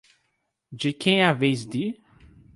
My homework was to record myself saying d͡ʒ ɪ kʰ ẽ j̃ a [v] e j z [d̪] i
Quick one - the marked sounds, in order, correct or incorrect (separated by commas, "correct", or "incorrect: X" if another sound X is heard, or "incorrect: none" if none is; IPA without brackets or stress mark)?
correct, correct